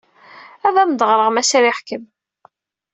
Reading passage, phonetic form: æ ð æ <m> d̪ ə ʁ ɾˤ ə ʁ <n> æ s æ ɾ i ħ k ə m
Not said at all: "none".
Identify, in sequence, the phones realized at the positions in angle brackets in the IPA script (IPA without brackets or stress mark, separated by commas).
m, m